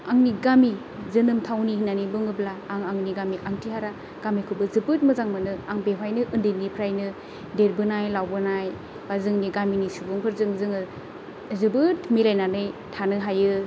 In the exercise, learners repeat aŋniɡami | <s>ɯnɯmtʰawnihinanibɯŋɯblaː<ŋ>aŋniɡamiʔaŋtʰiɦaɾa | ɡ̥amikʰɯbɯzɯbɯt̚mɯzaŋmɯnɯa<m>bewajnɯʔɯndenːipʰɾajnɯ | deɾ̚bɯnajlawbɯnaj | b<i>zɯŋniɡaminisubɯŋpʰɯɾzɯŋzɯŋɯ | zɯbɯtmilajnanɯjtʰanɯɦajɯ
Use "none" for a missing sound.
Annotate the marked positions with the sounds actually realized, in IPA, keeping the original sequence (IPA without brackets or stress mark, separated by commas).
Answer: z, ŋ, ŋ, a